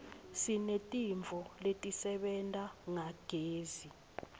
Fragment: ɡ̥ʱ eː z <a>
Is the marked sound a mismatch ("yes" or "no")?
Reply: yes